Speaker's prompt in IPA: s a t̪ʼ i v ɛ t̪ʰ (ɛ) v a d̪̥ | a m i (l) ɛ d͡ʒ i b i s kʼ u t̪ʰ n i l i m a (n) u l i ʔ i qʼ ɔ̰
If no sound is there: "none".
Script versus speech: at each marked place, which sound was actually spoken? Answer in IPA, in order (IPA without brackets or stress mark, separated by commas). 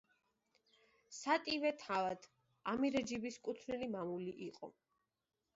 a, ɾ, m